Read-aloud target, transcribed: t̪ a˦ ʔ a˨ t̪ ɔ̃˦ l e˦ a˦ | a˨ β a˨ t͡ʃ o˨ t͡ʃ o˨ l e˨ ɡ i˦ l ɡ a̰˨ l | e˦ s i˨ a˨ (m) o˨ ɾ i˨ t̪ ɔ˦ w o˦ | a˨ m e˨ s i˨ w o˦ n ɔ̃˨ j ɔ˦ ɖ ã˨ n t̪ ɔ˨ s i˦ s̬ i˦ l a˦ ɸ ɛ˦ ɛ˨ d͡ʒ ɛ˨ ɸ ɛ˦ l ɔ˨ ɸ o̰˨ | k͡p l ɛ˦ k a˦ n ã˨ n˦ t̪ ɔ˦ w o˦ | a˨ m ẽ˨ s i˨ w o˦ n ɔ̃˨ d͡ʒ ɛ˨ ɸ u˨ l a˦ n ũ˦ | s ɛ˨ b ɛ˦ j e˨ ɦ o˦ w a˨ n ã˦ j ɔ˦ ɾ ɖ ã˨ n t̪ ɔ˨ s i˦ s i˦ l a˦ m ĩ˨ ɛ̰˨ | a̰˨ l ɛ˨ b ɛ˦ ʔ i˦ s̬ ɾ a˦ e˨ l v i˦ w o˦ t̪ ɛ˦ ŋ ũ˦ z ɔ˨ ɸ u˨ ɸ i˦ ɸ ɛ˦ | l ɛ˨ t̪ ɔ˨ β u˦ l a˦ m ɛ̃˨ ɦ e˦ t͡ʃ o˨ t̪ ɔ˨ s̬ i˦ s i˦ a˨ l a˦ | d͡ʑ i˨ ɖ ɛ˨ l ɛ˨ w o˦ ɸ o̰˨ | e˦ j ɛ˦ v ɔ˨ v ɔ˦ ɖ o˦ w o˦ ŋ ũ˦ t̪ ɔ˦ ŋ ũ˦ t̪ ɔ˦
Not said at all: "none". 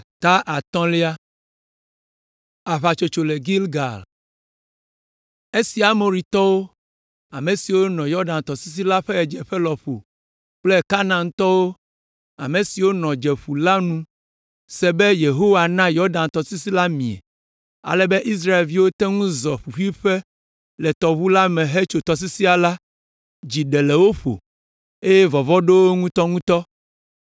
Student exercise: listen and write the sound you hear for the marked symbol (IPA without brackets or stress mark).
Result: m